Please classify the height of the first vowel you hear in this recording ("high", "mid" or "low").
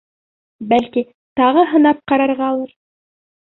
low